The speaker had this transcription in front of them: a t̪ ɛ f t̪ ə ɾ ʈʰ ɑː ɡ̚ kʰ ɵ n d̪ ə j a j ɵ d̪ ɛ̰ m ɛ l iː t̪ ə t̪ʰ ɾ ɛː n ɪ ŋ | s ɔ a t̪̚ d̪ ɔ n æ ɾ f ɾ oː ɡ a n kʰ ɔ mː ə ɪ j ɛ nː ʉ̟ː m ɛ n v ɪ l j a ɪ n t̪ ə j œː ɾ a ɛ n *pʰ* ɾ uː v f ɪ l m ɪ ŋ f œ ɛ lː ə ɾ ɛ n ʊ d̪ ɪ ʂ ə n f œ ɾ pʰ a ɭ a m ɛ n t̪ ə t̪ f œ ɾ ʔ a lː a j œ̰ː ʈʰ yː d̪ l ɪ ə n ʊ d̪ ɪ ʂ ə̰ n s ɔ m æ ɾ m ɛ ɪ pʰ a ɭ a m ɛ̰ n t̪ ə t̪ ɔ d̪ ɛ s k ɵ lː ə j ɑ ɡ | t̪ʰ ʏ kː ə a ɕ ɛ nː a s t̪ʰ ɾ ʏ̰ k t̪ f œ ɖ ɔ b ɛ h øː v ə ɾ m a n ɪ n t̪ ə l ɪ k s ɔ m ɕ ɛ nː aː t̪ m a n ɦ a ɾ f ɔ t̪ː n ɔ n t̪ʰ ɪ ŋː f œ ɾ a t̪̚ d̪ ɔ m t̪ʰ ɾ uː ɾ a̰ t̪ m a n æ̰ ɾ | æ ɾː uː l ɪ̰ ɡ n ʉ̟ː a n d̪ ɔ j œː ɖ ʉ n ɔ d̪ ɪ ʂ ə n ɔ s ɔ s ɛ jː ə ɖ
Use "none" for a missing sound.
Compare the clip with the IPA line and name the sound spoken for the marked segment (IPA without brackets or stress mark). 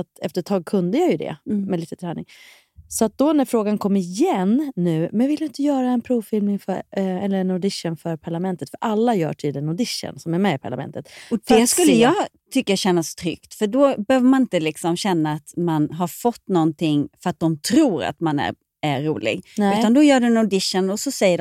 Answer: pʰ